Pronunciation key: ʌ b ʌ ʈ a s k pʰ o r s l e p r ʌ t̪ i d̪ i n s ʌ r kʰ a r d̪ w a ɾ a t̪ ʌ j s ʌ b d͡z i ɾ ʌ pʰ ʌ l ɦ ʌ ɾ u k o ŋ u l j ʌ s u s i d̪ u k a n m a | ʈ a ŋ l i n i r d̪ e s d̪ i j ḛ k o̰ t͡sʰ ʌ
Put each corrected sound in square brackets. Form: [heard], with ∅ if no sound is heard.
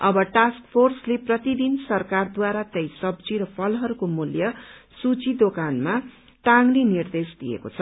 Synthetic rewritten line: ʌ b ʌ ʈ a s k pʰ o r s l e p r ʌ t̪ i d̪ i n s ʌ r [k] a r d̪ w a ɾ a t̪ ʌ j s ʌ b d͡z i ɾ ʌ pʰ ʌ l ɦ ʌ ɾ u k o [m] u l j ʌ s u [t͡s] i d̪ [o] k a n m a | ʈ a ŋ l i n i r d̪ e s d̪ i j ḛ k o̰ t͡sʰ ʌ